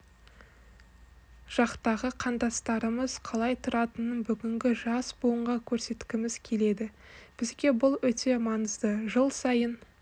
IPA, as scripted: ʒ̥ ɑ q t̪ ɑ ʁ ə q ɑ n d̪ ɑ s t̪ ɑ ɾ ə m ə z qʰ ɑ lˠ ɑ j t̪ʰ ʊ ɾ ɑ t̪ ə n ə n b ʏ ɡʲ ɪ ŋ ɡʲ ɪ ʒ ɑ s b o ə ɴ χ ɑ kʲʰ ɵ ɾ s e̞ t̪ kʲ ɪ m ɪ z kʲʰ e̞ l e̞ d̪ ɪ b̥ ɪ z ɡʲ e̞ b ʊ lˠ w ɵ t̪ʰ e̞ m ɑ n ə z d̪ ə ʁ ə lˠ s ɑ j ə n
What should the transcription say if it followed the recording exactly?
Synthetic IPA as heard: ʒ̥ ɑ q t̪ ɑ ʁ ə qʰ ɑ n d̪ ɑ s t̪ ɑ ɾ ə m ə z qʰ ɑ lˠ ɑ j t̪ʰ ʊ ɾ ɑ t̪ ə n ə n b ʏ ɡʲ ɪ ŋ ɡʲ ɪ ʒ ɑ s b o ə ɴ ʁ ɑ kʲʰ ɵ ɾ s e̞ t̪ kʲ ɪ m ɪ z kʲʰ e̞ l e̞ d̪ ɪ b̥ ɪ z ɡʲ e̞ b ʊ lˠ w ɵ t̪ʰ e̞ m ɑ n ə z d̪ ə ʒ ə lˠ s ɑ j ə n